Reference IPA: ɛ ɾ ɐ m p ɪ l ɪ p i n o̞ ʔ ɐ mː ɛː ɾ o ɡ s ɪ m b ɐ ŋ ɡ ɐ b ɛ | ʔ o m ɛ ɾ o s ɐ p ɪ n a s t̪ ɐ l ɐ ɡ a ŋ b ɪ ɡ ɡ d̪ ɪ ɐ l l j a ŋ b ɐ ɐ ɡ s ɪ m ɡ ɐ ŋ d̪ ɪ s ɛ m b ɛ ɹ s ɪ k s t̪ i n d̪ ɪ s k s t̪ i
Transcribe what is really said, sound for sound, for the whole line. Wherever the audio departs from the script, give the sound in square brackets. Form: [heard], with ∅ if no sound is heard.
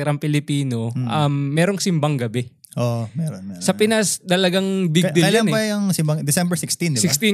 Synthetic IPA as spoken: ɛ ɾ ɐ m p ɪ l ɪ p [iː] n o̞ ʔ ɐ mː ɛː ɾ o [ŋ] s ɪ m b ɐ ŋ ɡ ɐ b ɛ | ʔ o m ɛ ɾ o s ɐ p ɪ n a s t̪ ɐ l ɐ ɡ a ŋ b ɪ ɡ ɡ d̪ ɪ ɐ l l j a [n] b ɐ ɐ [ŋ] s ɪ m [b] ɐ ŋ d̪ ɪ s ɛ m b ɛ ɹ s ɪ k s t̪ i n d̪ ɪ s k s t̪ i